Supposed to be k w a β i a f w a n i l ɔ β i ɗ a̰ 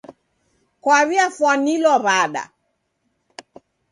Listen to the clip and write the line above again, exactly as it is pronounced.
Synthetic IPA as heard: k w a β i a f w a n i l ɔ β a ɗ a̰